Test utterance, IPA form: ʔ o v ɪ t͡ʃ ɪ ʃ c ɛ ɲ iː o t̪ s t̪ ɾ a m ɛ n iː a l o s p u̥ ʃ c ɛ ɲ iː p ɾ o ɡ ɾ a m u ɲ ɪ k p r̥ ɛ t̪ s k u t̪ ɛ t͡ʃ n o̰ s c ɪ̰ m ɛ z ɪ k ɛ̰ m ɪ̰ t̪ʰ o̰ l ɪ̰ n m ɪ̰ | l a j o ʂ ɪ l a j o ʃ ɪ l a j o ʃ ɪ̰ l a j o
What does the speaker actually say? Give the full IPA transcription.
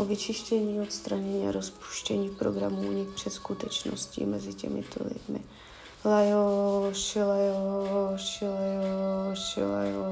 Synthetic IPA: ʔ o v ɪ t͡ʃ ɪ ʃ c ɛ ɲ iː o t̪ s t̪ ɾ a ɲ ɛ ɲ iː a ɾ o s p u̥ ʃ c ɛ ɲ iː p ɾ o ɡ ɾ a m u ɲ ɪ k p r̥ ɛ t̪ s k u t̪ ɛ t͡ʃ n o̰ s c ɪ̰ m ɛ z ɪ c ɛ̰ m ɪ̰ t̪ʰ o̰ l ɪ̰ d m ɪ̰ | l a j o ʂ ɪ l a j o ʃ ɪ l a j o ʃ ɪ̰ l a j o